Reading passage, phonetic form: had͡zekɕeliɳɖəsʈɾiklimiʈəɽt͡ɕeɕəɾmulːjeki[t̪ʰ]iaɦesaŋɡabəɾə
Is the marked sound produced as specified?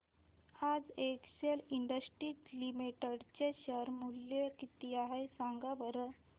no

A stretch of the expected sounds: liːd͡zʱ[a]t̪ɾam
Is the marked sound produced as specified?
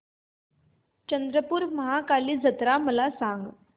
no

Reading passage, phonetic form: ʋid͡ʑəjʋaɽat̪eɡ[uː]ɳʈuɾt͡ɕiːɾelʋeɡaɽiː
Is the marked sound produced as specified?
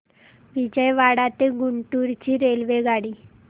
no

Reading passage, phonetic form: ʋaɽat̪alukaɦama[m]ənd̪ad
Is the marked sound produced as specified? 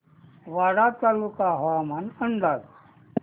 no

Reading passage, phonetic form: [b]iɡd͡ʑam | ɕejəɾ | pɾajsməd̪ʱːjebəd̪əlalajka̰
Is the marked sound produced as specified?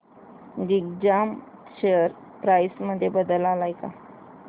no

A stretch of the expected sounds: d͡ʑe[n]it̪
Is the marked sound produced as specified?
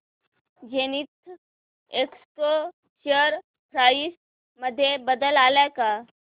yes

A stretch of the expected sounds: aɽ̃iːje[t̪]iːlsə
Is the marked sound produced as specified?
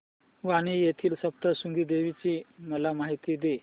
no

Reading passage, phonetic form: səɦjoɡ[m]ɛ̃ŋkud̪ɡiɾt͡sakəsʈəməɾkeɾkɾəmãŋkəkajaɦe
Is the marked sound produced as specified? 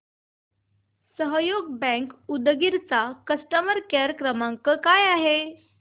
no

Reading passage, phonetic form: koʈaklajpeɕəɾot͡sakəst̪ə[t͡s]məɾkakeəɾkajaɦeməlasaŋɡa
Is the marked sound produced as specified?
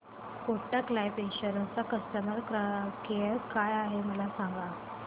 no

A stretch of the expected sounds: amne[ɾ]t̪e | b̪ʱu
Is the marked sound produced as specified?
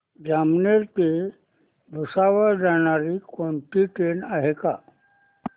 yes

